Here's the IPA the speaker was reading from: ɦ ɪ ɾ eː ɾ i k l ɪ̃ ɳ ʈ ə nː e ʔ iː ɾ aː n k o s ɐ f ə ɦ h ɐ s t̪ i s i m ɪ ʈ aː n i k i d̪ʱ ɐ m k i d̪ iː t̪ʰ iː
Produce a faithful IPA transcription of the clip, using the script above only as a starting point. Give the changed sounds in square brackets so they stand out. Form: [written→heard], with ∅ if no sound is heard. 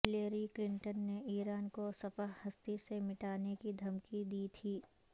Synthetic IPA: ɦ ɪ [ɾ→l] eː ɾ i k l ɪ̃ ɳ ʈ ə nː e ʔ iː ɾ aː n k o s ɐ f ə ɦ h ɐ s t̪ i s [i→e] m ɪ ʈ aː n [i→e] k i d̪ʱ ɐ m k i d̪ iː t̪ʰ iː